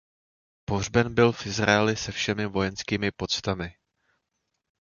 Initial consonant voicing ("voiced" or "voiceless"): voiceless